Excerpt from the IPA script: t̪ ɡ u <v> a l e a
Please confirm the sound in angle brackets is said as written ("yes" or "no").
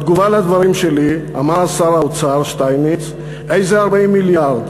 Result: yes